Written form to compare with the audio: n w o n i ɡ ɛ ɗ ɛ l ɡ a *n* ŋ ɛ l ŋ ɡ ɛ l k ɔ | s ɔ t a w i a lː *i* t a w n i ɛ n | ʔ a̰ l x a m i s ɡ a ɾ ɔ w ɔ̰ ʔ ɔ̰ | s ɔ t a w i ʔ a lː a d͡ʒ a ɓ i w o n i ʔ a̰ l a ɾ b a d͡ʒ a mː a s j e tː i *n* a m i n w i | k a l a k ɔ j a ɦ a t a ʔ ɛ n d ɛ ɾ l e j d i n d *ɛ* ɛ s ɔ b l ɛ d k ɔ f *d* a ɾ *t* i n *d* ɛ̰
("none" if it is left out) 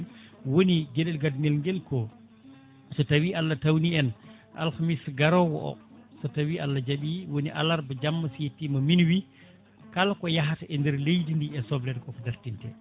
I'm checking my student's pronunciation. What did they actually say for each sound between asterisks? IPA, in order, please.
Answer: d, a, m, i, d, t, t

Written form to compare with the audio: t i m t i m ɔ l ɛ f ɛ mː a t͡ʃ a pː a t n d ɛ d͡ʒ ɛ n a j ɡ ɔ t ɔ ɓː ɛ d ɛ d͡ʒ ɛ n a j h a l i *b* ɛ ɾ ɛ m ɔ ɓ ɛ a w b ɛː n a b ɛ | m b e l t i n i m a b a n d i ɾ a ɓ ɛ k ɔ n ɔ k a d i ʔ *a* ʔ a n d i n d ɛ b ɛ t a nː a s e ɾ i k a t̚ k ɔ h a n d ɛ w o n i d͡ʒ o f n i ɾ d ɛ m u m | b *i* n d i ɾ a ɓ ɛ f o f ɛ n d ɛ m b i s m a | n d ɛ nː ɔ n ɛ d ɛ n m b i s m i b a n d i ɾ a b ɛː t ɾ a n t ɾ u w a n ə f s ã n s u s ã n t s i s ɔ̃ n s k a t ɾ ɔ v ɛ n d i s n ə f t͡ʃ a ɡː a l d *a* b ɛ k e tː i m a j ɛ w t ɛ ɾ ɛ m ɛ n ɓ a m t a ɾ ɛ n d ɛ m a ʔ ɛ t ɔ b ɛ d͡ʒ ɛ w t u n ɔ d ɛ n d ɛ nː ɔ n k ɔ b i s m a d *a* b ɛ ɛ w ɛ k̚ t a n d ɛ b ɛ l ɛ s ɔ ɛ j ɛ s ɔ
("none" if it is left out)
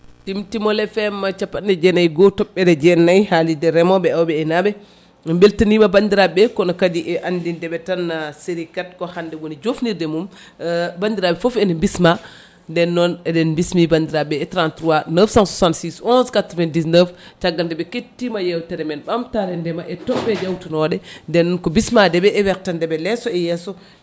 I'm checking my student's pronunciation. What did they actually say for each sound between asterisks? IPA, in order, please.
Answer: d, ɛ, a, ɛ, ɛ

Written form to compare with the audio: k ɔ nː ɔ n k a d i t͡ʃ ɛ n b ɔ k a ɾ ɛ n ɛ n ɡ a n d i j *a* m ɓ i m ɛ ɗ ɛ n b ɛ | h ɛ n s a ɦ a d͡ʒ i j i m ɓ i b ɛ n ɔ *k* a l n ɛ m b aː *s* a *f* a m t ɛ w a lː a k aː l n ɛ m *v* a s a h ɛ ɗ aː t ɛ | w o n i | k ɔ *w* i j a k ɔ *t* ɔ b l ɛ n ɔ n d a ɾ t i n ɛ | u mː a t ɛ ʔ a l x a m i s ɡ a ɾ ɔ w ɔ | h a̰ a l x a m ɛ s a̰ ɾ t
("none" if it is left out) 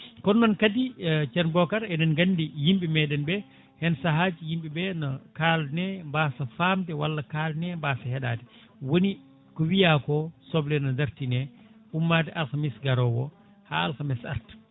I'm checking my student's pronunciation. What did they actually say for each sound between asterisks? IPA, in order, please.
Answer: i, k, s, f, b, w, s

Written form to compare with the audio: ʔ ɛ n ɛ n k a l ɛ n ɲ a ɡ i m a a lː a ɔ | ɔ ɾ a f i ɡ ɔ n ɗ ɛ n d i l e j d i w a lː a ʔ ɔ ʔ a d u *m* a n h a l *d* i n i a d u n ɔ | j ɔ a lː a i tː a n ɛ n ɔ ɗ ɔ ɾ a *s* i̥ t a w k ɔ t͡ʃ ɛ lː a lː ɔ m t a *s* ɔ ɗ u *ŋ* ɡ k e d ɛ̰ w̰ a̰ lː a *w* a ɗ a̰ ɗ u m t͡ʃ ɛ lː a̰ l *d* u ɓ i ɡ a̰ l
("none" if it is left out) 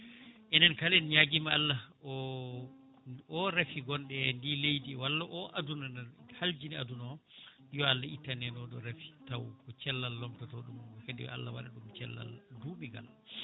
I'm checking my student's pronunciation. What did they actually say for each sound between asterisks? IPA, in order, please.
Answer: n, d͡ʒ, f, t, m, w, d

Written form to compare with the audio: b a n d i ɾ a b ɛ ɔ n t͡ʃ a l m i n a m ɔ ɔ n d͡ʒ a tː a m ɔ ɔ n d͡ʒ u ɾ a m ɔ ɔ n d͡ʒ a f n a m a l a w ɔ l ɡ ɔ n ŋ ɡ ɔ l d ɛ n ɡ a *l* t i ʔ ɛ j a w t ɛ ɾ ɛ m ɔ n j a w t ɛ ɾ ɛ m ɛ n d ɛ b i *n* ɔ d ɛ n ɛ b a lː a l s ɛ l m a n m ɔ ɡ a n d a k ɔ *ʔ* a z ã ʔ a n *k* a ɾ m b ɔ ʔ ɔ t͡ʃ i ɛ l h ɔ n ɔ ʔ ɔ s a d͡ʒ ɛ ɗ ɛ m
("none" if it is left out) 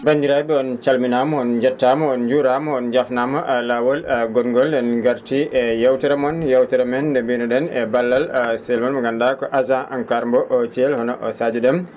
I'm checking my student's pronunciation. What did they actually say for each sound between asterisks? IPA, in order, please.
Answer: ɾ, n, ʔ, k

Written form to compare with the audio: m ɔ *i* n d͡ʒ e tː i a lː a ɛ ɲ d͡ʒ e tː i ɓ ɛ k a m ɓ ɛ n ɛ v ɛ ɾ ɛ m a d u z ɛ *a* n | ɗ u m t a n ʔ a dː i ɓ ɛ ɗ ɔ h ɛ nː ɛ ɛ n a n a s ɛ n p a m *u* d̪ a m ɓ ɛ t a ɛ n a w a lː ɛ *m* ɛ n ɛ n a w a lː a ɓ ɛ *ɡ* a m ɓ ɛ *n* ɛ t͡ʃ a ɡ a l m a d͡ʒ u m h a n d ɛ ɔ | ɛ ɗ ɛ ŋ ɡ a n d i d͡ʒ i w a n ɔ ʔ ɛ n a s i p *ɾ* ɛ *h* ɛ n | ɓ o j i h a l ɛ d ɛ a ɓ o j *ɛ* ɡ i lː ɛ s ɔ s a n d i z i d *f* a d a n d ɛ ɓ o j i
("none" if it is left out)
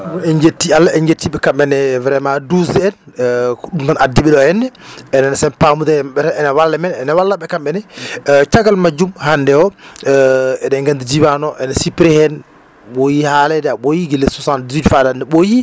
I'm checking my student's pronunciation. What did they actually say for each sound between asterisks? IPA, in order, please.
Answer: ɛ, ɛ, u, m, k, n, ɾ, h, i, f

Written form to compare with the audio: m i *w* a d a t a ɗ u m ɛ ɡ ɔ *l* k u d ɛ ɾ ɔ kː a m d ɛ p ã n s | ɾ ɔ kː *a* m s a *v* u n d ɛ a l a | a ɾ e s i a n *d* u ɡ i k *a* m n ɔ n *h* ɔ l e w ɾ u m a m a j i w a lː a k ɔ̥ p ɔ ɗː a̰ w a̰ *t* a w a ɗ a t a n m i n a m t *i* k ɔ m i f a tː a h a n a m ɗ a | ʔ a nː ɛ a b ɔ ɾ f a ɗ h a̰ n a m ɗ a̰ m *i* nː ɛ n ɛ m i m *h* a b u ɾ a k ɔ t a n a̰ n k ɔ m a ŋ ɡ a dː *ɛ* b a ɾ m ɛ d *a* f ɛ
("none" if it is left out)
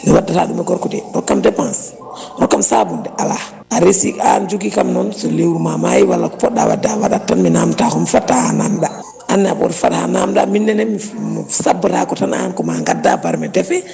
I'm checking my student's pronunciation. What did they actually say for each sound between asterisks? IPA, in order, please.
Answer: w, ɾ, a, b, d͡ʒ, a, s, d, a, i, s, a, ɛ

